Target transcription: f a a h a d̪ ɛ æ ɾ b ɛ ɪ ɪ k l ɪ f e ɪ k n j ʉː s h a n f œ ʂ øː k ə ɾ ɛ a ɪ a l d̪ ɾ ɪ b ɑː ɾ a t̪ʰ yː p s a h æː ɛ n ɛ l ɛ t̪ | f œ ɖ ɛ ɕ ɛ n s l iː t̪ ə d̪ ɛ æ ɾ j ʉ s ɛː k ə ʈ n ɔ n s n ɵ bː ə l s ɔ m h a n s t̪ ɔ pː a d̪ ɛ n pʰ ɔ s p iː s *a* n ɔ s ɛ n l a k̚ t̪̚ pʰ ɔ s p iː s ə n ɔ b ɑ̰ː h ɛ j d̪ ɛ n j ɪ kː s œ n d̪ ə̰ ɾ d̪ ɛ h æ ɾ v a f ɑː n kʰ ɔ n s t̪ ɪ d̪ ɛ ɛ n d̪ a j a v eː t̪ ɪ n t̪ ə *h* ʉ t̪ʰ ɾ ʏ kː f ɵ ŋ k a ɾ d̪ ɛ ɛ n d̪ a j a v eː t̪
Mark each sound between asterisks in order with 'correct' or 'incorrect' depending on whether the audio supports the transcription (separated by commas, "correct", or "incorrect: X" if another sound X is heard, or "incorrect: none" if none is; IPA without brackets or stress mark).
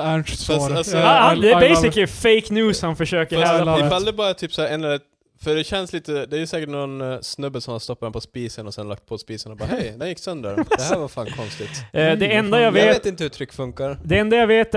incorrect: ə, correct